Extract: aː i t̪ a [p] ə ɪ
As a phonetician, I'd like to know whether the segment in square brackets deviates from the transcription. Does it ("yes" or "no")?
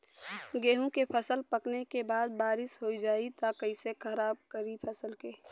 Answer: yes